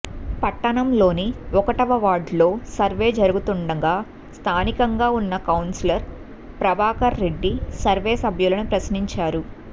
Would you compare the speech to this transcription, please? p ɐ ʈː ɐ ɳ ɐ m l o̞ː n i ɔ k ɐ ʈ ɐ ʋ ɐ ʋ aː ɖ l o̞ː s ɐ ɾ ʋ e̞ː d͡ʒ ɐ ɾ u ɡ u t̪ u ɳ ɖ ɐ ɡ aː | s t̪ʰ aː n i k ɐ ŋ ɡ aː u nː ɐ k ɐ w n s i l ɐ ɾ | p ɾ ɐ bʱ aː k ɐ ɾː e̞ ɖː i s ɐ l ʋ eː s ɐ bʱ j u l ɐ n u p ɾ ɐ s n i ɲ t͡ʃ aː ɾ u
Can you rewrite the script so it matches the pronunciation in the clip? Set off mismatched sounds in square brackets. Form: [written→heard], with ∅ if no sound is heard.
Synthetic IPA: p ɐ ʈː ɐ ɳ ɐ m l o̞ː n i ɔ k ɐ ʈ ɐ ʋ ɐ ʋ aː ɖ l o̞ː s ɐ ɾ ʋ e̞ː d͡ʒ ɐ ɾ u ɡ u t̪ u ɳ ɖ ɐ ɡ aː | s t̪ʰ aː n i k ɐ ŋ ɡ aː u nː ɐ k ɐ w n s i l ɐ ɾ | p ɾ ɐ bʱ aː k ɐ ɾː e̞ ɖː i s ɐ [l→ɾ] ʋ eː s ɐ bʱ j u l ɐ n u p ɾ ɐ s n i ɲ t͡ʃ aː ɾ u